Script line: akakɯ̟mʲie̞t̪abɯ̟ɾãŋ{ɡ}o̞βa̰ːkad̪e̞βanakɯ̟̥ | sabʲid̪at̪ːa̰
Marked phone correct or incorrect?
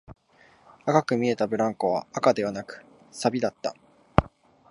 incorrect